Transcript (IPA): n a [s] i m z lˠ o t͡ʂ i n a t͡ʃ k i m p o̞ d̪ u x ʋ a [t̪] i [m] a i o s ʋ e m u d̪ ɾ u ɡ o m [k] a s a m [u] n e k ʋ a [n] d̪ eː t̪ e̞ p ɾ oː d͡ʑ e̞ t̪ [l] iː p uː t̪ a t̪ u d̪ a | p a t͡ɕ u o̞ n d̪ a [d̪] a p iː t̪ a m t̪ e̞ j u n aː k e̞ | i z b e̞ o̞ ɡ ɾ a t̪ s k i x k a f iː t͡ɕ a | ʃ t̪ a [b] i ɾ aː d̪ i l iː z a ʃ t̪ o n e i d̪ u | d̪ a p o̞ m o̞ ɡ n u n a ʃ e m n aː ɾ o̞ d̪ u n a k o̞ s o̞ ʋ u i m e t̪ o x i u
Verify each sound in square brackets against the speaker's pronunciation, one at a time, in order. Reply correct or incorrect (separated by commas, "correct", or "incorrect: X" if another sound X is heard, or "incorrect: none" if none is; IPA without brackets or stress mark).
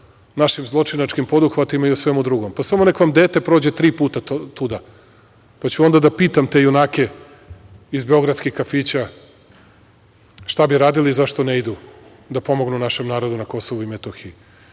incorrect: ʃ, correct, correct, incorrect: p, incorrect: o, incorrect: m, incorrect: ɾ, correct, correct